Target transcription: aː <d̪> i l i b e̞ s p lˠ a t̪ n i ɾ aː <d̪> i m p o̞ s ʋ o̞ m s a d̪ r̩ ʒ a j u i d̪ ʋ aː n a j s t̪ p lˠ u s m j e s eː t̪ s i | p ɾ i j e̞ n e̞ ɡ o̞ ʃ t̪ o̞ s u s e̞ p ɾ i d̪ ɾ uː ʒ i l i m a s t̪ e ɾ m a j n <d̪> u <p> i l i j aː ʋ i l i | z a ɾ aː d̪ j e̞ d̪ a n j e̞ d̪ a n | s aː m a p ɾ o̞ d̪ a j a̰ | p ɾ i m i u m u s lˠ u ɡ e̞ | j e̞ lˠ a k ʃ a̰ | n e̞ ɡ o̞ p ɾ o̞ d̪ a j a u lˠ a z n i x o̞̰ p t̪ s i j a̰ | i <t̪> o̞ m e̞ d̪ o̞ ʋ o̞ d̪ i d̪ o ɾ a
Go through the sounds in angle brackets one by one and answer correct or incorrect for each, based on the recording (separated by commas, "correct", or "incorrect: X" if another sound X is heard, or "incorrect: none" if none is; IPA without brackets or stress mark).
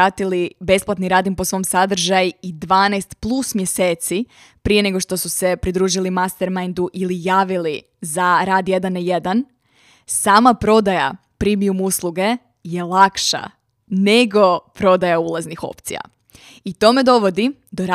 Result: incorrect: t̪, correct, correct, incorrect: ʔ, correct